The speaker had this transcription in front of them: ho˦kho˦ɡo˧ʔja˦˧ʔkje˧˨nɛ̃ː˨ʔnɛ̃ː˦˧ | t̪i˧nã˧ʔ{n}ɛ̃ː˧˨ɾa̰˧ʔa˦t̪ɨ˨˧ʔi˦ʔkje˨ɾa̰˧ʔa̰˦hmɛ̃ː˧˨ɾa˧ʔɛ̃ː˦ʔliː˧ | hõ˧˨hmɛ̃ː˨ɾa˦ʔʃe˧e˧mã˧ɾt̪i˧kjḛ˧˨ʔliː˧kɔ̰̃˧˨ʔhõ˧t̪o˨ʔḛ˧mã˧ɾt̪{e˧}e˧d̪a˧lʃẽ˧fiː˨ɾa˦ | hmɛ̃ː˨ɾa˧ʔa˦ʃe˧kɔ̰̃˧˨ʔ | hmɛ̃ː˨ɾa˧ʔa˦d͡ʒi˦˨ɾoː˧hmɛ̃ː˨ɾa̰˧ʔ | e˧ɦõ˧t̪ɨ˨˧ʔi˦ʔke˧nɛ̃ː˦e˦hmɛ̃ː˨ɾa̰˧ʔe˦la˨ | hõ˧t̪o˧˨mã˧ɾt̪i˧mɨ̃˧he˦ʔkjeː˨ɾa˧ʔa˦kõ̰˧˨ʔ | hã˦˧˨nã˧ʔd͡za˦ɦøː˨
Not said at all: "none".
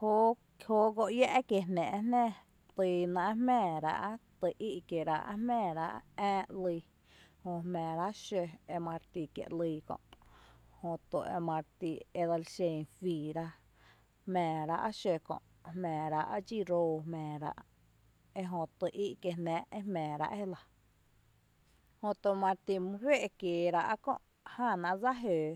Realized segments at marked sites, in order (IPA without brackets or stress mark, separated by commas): m, i˧